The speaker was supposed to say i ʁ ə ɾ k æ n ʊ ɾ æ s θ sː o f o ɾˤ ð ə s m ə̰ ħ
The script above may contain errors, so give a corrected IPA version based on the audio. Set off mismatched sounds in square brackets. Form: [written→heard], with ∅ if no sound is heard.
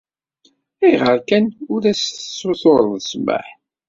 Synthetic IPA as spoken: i ʁ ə ɾ k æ n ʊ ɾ æ s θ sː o [f→θ] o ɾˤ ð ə s m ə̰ ħ